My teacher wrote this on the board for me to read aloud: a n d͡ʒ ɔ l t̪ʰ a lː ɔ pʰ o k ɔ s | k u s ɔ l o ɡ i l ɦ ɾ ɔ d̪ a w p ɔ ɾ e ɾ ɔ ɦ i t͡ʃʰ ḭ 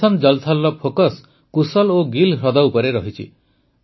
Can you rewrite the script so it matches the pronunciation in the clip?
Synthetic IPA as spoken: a n d͡ʒ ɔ l t̪ʰ a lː ɔ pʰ o k ɔ s | k u s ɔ l o ɡ i l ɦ ɾ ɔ d̪ a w p ɔ ɾ e ɾ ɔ ɦ i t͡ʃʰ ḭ